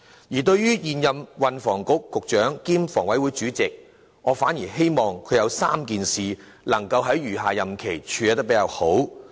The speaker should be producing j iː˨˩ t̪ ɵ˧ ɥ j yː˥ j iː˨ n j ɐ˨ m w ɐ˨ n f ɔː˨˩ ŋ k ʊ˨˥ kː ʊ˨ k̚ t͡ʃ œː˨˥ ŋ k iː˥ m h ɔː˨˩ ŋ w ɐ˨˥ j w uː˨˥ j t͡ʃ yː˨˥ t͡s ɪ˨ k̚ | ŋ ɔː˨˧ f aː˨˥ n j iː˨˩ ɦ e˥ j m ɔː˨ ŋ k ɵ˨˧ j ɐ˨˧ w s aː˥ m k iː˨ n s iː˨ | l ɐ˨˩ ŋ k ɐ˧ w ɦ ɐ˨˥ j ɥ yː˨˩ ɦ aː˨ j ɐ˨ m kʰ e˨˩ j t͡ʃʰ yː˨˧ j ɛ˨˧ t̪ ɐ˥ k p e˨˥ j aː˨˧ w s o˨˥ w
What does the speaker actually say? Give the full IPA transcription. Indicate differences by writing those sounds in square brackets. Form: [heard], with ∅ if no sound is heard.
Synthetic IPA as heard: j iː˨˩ t̪ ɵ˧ ɥ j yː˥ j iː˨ n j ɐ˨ m w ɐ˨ n f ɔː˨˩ ŋ k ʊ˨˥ kː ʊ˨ k̚ t͡ʃ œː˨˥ ŋ k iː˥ m [f] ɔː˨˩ ŋ w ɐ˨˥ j w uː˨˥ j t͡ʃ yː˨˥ t͡s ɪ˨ k̚ | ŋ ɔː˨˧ f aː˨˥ n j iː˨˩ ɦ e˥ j m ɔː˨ ŋ [kʰ] ɵ˨˧ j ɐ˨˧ w s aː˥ m k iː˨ n s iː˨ | l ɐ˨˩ ŋ k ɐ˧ w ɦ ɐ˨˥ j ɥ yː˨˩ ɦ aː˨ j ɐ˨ m kʰ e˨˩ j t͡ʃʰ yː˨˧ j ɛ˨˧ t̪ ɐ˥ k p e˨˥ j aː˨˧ w [h] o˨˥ w